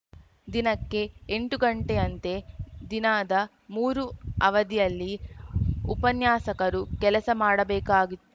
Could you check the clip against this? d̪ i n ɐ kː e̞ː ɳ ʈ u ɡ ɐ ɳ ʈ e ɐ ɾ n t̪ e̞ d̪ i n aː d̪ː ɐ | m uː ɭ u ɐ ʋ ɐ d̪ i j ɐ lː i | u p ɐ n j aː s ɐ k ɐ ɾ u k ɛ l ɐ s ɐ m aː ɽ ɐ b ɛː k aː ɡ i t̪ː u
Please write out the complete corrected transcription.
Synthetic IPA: d̪ i n ɐ kː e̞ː ɳ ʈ u ɡ ɐ ɳ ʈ e ɐ n t̪ e̞ d̪ i n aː d̪ ɐ | m uː ɾ u ɐ ʋ ɐ d̪ i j ɐ lː i | u p ɐ n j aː s ɐ k ɐ ɾ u k ɛ l ɐ s ɐ m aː ɽ ɐ b ɛː k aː ɡ i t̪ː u